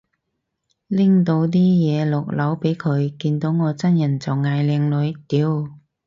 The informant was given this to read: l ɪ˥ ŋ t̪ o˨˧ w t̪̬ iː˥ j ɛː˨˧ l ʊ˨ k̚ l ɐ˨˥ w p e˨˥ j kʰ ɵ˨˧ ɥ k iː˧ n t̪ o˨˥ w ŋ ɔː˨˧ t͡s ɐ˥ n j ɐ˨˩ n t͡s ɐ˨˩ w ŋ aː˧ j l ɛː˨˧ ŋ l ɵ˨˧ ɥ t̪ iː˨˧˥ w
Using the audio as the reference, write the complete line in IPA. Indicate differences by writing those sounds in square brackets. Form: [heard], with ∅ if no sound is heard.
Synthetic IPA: l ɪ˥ ŋ t̪ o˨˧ w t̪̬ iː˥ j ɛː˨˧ l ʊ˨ k̚ l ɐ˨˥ w p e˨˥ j kʰ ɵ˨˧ ɥ k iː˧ n t̪ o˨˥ w ŋ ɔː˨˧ t͡s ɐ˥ n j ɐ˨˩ n t͡s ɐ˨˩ w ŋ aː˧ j l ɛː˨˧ ŋ l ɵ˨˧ ɥ t̪ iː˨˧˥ w